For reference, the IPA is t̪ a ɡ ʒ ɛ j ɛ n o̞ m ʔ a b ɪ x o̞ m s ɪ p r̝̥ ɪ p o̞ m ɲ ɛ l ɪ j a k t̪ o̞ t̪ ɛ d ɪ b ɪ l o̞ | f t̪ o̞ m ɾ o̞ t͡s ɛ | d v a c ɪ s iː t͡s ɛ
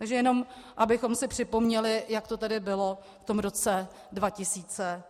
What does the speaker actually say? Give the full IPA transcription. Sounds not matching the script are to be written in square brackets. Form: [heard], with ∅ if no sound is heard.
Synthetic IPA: t̪ a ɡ ʒ ɛ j ɛ n o̞ m ʔ a b ɪ x o̞ m s ɪ p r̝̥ ɪ p o̞ m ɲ ɛ l ɪ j a k t̪ o̞ t̪ ɛ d ɪ b ɪ l o̞ | f t̪ o̞ m ɾ o̞ t͡s ɛ | d v a c ɪ s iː t͡s ɛ